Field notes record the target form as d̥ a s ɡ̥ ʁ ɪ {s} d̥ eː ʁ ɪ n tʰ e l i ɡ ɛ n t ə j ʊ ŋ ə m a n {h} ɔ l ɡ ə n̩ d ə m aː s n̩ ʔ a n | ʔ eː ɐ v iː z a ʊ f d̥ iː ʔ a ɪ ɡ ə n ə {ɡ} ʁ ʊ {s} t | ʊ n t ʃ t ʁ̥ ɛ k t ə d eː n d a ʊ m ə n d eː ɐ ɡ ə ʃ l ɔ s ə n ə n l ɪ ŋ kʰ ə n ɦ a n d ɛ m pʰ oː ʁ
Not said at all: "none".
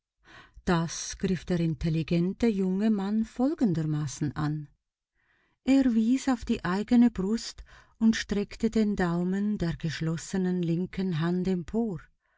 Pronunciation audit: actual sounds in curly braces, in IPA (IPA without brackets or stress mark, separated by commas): f, f, b, s